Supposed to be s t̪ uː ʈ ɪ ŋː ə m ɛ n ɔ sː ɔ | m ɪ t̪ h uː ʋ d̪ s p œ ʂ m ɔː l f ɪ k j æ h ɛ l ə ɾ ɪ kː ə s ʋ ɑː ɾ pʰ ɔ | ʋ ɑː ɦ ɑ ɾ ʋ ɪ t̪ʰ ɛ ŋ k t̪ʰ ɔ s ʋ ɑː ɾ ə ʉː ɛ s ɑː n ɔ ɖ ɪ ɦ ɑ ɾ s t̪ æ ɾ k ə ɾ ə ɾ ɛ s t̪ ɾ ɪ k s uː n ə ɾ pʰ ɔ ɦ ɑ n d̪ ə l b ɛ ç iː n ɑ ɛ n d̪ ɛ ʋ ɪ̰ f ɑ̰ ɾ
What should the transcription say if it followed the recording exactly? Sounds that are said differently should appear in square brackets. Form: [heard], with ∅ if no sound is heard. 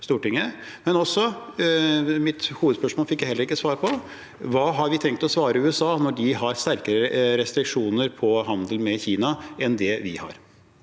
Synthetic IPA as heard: s t̪ uː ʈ ɪ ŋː ə m ɛ n ɔ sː ɔ | m ɪ t̪ h uː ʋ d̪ s p œ ʂ m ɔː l f ɪ k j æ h ɛ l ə ɾ ɪ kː ə s ʋ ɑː ɾ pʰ ɔ | ʋ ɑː ɦ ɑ ɾ ʋ ɪ t̪ʰ ɛ ŋ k [t̪] ɔ s ʋ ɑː ɾ ə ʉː ɛ s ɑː n ɔ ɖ ɪ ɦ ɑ ɾ s t̪ æ ɾ k ə ɾ ə ɾ ɛ s t̪ ɾ ɪ k [ʂ] uː n ə ɾ pʰ ɔ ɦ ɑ n d̪ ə l [m] ɛ ç iː n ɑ ɛ n d̪ ɛ ʋ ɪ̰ [h] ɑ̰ ɾ

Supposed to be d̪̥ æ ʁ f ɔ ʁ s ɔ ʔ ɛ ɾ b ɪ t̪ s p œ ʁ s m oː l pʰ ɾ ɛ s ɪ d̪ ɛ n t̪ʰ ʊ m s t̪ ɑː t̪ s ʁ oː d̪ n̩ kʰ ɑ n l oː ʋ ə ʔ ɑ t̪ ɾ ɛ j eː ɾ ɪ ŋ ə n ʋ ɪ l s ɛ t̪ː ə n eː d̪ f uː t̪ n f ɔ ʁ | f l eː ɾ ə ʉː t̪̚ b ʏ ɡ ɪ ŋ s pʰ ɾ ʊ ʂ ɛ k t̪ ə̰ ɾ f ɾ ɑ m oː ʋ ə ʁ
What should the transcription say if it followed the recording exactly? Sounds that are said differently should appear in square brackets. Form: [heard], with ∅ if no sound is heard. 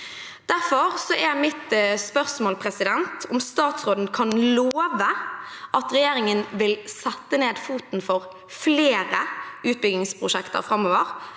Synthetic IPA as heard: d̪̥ æ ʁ f ɔ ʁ s ɔ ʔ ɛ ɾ [m] ɪ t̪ s p œ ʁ s m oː l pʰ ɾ ɛ s ɪ d̪ ɛ n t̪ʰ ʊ m s t̪ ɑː t̪ s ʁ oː d̪ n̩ kʰ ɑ n l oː ʋ ə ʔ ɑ t̪ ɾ ɛ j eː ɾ ɪ ŋ ə n ʋ ɪ l s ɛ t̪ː ə n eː d̪ f uː t̪ n f ɔ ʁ | f l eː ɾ ə ʉː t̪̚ b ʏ ɡ ɪ ŋ s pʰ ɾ ʊ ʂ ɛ k t̪ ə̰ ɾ f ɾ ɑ m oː ʋ ə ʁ

